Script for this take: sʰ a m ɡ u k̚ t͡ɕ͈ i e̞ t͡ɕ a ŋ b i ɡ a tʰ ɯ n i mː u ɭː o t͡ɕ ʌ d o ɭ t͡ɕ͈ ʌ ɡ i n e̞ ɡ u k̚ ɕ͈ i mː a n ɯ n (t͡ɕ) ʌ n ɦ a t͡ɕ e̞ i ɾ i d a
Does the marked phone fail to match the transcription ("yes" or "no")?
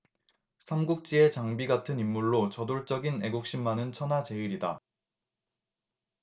yes